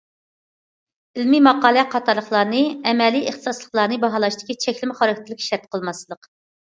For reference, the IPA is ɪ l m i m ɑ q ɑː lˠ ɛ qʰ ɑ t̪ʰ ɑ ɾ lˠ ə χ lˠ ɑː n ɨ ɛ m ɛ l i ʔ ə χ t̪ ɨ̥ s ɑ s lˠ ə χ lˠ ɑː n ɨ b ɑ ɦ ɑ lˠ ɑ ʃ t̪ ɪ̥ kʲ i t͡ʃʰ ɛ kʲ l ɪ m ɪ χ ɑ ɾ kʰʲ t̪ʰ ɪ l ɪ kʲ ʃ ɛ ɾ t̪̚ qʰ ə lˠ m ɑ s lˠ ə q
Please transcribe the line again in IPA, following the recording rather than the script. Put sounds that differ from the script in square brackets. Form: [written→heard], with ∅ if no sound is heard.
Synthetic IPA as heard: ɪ l m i m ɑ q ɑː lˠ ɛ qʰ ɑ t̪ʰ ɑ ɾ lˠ ə χ lˠ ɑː n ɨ ɛ m ɛ l i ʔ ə χ t̪ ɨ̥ s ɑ s lˠ ə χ lˠ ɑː n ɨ b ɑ ɦ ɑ lˠ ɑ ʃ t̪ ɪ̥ kʲ i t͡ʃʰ ɛ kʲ l ɪ m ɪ χ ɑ ɾ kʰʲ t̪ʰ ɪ l ɪ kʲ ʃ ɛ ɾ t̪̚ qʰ ə lˠ m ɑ s lˠ ə q